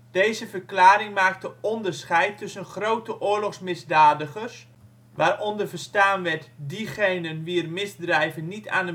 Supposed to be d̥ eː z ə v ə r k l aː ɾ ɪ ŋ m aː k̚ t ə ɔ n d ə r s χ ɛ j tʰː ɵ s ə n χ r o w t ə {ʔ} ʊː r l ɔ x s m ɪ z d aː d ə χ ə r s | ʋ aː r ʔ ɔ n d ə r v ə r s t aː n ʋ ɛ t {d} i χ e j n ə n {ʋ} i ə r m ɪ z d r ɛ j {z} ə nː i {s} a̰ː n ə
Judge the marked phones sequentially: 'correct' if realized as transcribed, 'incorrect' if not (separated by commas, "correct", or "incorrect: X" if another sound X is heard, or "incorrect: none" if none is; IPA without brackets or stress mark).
correct, correct, correct, incorrect: v, incorrect: t